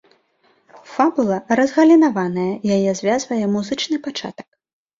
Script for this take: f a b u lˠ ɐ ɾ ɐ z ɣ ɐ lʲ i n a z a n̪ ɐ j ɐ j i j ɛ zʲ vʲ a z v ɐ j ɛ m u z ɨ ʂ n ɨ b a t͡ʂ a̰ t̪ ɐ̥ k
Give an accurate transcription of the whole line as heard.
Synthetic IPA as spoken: f a b u lˠ ɐ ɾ ɐ z ɣ ɐ lʲ i n a v a n̪ ɐ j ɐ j a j ɛ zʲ vʲ a z v ɐ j ɛ m u z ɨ t͡ʂ n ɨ p a t͡ʂ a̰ t̪ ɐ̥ k